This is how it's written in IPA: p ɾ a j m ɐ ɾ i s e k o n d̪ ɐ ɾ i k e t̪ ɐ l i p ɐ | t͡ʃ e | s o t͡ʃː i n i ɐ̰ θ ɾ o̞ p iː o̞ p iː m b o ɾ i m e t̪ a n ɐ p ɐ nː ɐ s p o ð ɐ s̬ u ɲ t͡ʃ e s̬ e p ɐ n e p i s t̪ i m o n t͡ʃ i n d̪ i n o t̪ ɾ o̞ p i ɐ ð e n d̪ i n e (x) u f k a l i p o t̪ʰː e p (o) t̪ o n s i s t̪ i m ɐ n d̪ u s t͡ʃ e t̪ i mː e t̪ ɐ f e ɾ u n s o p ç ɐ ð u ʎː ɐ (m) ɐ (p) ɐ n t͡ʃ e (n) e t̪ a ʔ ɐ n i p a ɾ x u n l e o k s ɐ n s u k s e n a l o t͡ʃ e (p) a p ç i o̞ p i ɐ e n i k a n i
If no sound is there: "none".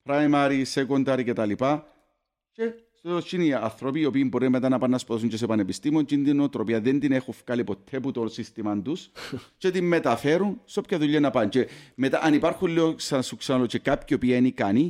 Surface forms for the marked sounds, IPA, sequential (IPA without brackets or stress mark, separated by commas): x, u, n, p, m, k